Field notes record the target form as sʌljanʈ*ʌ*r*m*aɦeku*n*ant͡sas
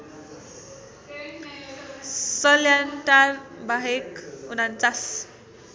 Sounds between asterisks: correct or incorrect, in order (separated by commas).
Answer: incorrect, incorrect, correct